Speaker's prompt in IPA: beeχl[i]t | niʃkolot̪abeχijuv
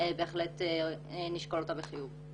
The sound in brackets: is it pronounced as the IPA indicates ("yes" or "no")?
no